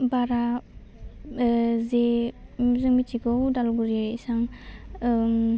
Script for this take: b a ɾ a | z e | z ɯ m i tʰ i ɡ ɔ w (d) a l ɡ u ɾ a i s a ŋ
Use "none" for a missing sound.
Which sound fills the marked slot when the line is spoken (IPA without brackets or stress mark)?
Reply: d